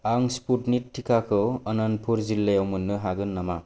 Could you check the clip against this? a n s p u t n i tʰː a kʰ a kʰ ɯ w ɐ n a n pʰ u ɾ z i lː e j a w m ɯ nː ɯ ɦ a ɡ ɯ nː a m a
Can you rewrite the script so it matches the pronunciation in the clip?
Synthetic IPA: a ŋ s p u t n i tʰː i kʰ a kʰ ɯ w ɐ n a n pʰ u ɾ z i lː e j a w m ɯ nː ɯ ɦ a ɡ ɯ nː a m a